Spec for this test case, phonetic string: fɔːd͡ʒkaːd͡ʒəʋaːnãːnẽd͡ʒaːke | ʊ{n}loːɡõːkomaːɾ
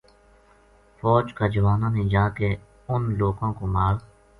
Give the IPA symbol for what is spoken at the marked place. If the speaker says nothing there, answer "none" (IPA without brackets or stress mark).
n